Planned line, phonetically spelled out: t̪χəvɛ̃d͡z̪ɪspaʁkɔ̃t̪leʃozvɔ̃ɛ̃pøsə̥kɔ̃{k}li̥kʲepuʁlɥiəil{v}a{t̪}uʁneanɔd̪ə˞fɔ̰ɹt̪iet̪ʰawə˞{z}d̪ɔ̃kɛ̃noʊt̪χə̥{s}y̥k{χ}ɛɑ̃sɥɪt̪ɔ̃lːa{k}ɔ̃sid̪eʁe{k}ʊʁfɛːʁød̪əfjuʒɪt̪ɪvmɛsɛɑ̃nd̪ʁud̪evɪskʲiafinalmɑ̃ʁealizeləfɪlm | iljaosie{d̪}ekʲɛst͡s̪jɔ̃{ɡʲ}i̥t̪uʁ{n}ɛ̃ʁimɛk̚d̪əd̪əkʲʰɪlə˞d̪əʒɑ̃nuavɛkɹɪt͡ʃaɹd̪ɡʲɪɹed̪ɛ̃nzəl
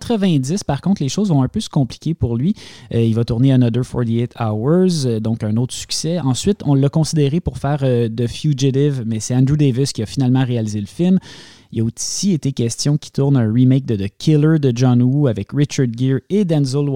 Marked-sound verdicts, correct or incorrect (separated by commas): incorrect, correct, correct, correct, correct, incorrect, correct, incorrect, incorrect, incorrect, correct